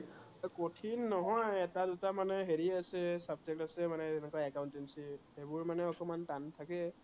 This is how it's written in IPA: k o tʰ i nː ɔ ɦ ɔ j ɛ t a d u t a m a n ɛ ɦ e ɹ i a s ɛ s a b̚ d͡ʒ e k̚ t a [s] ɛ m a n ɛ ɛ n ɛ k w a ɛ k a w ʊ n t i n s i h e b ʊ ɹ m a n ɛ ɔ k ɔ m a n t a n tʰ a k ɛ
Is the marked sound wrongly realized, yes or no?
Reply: no